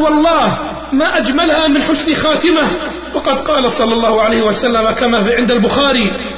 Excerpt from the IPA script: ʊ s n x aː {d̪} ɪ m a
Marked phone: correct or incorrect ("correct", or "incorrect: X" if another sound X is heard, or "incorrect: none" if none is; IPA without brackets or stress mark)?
incorrect: t̪